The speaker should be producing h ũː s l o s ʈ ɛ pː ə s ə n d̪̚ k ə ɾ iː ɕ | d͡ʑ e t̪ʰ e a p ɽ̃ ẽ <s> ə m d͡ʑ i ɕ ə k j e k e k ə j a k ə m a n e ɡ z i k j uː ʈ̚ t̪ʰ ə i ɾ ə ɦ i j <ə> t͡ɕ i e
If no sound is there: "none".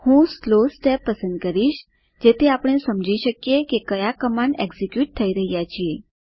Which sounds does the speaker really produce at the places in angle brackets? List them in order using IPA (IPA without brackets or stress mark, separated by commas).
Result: s, a